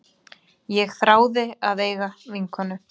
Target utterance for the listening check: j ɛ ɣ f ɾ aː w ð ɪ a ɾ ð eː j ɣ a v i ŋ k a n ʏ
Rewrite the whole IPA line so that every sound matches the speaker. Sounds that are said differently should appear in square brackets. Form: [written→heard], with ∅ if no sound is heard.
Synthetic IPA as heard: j ɛ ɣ [f→θ] ɾ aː w ð ɪ a [ɾ→∅] ð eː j ɣ a v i ŋ k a n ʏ